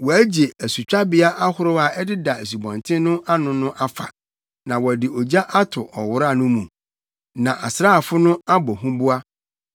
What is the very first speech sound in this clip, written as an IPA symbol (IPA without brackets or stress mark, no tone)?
w